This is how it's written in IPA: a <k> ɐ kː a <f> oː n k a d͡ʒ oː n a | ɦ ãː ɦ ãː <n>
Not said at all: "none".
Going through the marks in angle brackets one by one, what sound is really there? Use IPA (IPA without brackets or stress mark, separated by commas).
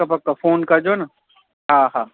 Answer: p, f, none